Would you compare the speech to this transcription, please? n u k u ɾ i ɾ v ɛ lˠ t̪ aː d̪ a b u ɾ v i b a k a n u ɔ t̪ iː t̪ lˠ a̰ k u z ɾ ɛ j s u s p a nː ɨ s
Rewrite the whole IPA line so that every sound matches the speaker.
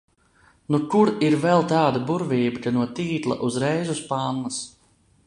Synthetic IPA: n u k u ɾ i ɾ v ɛ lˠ t̪ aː d̪ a b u ɾ v iː b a k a n u ɔ t̪ iː t̪ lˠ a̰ ʔ u z ɾ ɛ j z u s p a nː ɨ s